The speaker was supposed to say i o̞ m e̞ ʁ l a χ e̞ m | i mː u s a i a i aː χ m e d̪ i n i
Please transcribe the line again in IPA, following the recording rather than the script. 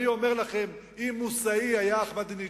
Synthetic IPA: i o̞ m e̞ ʁ l a χ e̞ m | i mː u s a i a j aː χ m a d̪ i n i